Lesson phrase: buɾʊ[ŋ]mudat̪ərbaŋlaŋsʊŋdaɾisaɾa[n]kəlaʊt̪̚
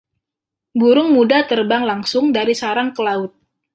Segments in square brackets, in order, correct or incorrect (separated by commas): correct, incorrect